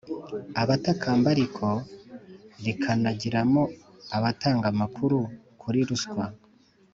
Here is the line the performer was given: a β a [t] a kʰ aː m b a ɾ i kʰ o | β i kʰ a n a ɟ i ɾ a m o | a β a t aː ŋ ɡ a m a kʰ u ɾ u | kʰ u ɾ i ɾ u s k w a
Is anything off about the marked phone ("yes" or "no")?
no